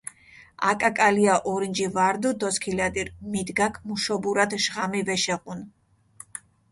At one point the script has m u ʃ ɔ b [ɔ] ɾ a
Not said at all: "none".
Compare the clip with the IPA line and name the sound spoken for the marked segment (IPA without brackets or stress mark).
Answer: u